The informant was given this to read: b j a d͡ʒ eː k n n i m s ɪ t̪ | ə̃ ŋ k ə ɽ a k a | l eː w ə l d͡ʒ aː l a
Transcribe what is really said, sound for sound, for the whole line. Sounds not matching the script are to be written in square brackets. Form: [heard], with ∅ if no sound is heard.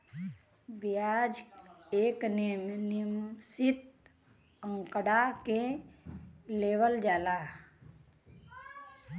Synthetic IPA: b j a d͡ʒ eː k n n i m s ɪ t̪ | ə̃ ŋ k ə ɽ a k [e] | l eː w ə l d͡ʒ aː l a